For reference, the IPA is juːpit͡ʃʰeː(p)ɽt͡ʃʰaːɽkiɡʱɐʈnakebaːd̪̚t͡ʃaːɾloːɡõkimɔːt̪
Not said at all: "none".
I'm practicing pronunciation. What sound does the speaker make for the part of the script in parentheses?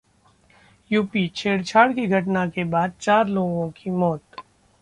none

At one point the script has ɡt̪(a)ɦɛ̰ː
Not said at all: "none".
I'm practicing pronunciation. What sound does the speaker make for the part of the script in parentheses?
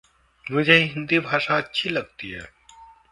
i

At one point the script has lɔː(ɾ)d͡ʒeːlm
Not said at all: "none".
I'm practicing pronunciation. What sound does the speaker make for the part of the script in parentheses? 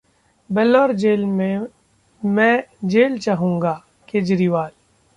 ɾ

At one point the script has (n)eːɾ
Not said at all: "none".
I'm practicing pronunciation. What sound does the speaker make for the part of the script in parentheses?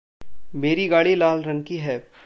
m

